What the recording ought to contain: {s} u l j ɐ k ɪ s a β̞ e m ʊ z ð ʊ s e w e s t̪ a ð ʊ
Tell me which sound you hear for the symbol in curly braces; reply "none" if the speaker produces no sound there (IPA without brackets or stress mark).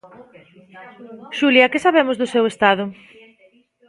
ʃ